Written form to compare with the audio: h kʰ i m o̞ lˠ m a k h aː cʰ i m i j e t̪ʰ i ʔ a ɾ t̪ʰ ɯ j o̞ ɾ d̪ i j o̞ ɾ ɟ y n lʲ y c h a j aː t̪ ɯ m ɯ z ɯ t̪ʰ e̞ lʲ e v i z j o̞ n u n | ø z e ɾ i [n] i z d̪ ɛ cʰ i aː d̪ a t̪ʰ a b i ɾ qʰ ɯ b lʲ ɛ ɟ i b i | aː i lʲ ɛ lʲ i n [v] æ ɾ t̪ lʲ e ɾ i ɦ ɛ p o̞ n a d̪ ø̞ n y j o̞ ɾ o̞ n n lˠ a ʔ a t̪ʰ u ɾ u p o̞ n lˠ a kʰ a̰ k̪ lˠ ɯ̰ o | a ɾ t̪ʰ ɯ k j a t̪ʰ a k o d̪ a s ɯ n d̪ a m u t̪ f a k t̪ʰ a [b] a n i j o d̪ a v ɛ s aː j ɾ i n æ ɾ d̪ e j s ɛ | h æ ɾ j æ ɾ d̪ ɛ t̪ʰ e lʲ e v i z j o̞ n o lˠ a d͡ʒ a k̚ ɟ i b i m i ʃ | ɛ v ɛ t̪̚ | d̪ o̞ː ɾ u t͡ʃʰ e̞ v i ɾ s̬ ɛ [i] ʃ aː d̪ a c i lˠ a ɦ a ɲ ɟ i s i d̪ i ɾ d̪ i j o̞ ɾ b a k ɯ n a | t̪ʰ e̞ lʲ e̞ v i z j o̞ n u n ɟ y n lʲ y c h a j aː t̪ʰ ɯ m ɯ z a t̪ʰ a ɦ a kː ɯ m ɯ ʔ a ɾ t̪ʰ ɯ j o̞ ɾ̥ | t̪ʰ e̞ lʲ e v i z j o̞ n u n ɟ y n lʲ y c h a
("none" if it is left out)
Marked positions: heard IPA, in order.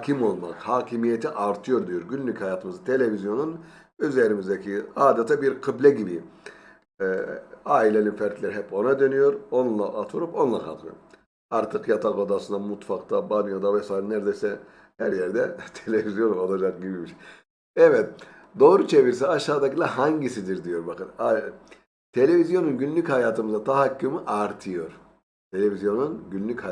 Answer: m, f, b, a

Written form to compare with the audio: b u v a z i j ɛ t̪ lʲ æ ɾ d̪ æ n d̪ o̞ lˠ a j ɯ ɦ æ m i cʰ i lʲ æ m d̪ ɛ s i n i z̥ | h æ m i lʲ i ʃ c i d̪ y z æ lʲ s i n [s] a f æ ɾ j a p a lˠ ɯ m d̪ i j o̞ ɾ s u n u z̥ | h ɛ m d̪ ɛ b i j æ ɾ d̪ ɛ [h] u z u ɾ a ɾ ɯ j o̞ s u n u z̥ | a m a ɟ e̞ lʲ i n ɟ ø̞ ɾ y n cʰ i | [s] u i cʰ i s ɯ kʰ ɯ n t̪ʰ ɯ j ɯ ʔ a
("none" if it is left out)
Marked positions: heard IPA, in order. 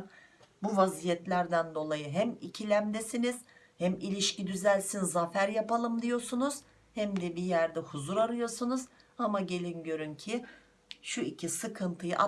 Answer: z, h, ʃ

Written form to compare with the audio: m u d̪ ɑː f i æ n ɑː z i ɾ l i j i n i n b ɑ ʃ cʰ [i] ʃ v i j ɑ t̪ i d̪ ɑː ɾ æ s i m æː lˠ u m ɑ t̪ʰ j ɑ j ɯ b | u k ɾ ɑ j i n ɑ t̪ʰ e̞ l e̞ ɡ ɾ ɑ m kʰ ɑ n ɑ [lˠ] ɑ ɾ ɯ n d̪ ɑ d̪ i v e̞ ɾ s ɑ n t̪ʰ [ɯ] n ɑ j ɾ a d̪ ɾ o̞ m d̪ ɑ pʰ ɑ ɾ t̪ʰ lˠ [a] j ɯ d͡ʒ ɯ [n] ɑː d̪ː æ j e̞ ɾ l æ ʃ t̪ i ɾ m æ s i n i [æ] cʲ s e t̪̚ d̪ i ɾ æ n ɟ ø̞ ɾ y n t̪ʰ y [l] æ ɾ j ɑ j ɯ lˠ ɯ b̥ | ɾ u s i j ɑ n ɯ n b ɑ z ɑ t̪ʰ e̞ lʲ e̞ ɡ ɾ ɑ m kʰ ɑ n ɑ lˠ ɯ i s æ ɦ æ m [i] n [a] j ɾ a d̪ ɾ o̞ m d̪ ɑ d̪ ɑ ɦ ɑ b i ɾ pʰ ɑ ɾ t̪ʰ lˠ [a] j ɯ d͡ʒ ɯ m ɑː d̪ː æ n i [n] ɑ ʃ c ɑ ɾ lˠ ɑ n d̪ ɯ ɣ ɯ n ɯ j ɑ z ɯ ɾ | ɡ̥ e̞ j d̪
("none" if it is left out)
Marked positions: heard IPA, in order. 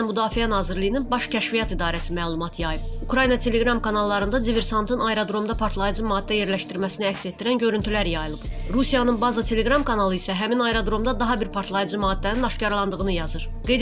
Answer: æ, lˠː, ɯ, ɑ, m, æ, l, i, ɑ, ɑ, n

